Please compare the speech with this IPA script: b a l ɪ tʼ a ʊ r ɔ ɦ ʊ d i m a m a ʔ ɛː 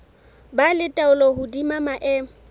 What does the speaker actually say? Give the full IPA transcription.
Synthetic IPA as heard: b a l ɪ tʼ a ʊ l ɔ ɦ ʊ d i m a m a ʔ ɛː